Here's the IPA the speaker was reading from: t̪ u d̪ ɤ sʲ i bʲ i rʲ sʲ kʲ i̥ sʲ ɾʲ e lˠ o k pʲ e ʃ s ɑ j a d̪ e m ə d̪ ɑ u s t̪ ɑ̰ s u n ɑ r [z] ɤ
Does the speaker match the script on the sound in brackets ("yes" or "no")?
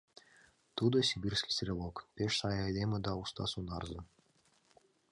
yes